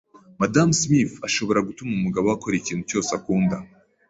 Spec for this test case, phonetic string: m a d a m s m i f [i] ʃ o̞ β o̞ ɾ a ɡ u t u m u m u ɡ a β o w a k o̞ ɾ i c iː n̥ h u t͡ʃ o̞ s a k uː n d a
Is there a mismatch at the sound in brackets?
yes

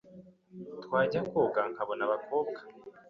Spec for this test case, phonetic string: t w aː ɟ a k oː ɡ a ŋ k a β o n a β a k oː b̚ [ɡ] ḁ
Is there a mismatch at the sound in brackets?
no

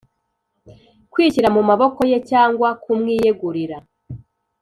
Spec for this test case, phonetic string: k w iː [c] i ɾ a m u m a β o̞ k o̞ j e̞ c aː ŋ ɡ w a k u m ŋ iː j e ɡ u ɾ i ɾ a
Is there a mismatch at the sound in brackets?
no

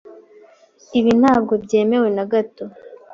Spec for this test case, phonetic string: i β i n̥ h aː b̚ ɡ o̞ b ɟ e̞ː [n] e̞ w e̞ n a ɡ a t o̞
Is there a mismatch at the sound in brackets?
yes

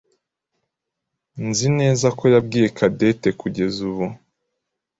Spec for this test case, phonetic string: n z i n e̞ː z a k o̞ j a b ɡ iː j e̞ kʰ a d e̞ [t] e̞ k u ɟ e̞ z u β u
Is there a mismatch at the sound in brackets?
no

